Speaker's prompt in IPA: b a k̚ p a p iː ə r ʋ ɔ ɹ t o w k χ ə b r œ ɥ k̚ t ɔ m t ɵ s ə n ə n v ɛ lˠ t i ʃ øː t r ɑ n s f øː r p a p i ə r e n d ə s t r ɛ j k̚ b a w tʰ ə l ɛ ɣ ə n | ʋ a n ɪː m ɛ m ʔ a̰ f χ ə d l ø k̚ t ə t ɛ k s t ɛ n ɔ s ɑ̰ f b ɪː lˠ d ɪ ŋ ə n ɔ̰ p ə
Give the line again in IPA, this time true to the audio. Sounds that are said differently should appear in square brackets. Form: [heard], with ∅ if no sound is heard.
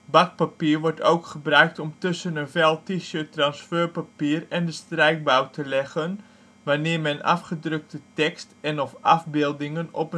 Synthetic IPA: b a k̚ p a p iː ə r ʋ ɔ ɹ t o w k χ ə b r œ ɥ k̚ t ɔ m t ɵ s ə n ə n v ɛ lˠ t i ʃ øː t r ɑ n s f øː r p a p i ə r [ɛ] n d ə s t r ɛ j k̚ b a w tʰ ə l ɛ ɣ ə n | ʋ a n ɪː m ɛ [n] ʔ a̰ f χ ə d [r] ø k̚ t ə t ɛ k s t ɛ n ɔ [f] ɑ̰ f b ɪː lˠ d ɪ ŋ ə n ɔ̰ p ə